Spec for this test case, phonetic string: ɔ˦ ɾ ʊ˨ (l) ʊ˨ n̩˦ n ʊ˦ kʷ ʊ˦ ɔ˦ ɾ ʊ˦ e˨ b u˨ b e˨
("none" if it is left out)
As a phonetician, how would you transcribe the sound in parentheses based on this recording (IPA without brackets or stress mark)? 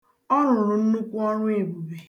ɾ